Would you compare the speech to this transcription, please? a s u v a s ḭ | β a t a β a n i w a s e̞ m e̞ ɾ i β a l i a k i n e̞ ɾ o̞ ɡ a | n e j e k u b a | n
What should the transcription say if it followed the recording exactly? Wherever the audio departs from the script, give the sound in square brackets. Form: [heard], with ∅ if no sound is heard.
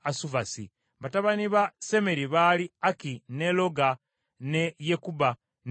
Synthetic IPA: a s u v a s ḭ | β a t a β a n i [β] a s e̞ m e̞ ɾ i β a l i a k i n e̞ [l] o̞ ɡ a | n e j e k u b a | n